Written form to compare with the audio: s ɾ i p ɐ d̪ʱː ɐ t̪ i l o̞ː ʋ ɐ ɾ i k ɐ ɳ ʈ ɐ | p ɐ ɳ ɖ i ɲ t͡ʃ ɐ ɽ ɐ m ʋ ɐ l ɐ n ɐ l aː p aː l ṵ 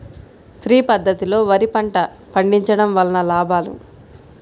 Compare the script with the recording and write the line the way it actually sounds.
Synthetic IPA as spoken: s ɾ iː p ɐ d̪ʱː ɐ t̪ i l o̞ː ʋ ɐ ɾ i p ɐ ɳ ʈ ɐ | p ɐ ɳ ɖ i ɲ t͡ʃ ɐ ɽ ɐ m ʋ ɐ l ɐ n ɐ l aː b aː l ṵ